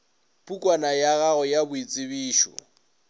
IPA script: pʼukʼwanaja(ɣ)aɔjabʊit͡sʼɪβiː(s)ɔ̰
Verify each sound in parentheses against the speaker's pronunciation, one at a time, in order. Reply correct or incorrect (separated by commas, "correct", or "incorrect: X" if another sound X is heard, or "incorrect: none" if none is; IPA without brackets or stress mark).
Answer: correct, incorrect: ʃ